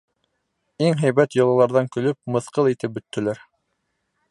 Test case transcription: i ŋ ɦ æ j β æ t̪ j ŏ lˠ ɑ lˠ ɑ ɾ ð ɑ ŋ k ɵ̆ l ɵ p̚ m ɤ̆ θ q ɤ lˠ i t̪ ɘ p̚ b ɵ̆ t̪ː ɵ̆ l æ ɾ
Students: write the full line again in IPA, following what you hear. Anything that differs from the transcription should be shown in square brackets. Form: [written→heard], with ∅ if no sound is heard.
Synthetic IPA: i ŋ ɦ æ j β æ t̪ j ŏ lˠ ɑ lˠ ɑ ɾ ð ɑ ŋ k ɵ̆ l ɵ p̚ m ɤ̆ θ q ɤ lˠ i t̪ ɘ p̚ b ɵ̆ t̪ː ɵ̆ l æ ɾ